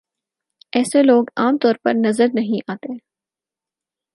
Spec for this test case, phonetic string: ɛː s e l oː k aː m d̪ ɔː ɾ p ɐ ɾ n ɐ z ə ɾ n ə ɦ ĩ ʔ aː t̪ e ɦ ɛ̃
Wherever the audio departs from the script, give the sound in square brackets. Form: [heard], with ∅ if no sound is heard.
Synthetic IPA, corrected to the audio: ɛː s e l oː [ɡ] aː m [t̪] ɔː ɾ p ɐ ɾ n ɐ z ə ɾ n [ɐ] ɦ ĩ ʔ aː t̪ e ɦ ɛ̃